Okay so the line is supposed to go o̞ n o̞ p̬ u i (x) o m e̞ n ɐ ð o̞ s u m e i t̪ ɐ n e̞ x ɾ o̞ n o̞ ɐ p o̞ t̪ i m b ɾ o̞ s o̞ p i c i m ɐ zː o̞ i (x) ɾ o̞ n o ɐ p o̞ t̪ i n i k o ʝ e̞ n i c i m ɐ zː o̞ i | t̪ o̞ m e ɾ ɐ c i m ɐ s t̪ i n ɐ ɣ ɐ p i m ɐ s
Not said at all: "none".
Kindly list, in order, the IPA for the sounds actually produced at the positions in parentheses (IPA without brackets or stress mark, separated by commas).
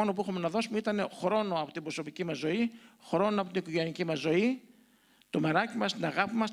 x, x